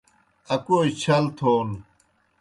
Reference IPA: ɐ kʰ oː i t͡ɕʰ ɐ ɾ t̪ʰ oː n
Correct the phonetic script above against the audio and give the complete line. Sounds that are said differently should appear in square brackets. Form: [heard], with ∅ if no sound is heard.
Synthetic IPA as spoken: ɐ [k] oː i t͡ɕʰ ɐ [l] t̪ʰ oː n